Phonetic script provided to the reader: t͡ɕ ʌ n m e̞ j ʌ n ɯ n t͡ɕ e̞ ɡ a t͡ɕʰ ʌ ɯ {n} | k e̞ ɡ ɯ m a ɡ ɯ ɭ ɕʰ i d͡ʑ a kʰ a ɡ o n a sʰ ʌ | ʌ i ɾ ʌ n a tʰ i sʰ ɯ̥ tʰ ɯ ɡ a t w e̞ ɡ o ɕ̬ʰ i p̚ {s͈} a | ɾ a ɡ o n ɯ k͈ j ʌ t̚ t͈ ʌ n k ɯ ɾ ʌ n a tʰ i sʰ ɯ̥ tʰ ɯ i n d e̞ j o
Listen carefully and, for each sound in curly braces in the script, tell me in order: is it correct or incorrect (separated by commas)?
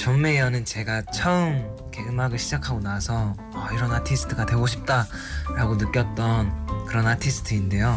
incorrect, incorrect